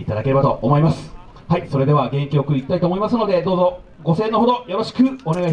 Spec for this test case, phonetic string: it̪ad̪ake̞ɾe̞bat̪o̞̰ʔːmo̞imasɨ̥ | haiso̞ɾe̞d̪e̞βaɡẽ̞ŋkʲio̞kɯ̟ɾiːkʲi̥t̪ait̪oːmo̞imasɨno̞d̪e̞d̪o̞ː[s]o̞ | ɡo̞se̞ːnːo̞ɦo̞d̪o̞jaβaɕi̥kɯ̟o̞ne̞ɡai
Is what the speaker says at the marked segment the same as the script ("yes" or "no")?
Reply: no